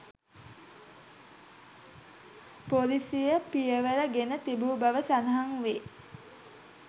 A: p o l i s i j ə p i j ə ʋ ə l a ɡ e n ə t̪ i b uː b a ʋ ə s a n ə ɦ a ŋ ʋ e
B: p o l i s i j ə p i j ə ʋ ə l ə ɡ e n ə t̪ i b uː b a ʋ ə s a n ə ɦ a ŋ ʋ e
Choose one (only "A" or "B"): B